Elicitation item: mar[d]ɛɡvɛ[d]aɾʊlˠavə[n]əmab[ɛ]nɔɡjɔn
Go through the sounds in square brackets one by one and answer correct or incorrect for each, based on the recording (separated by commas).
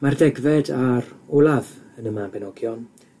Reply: correct, correct, correct, correct